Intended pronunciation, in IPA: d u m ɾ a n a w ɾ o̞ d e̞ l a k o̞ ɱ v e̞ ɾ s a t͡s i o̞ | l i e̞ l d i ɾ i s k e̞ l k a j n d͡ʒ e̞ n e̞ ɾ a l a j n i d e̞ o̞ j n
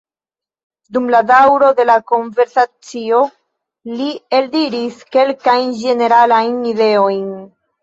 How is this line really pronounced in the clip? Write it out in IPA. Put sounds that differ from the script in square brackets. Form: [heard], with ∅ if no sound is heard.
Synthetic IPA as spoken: d u m [l] a [d] a w ɾ o̞ d e̞ l a k o̞ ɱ v e̞ ɾ s a t͡s i o̞ | l i e̞ l d i ɾ i s k e̞ l k a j n d͡ʒ e̞ n e̞ ɾ a l a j n i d e̞ o̞ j n